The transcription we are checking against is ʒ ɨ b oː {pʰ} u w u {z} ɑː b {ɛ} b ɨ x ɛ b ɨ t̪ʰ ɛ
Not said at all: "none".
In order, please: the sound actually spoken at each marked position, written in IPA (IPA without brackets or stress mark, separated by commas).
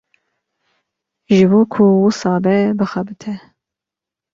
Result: kʰ, s, ɛ